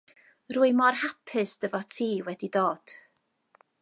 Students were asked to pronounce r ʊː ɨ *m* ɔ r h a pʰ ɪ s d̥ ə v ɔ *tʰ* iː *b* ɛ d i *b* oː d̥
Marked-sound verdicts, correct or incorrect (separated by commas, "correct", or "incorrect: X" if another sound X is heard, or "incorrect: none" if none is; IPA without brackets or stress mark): correct, correct, incorrect: w, incorrect: d